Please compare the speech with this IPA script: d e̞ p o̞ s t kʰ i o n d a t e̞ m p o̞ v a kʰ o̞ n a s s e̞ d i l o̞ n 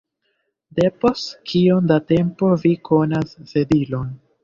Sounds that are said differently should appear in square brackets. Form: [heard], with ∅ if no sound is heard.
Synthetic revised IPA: d e̞ p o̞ s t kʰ i o n d a t e̞ m p o̞ v [i] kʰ o̞ n a s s e̞ d i l o̞ n